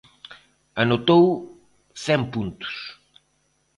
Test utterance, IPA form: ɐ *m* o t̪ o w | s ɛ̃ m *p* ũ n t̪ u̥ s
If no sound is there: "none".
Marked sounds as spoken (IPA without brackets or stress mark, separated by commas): n, p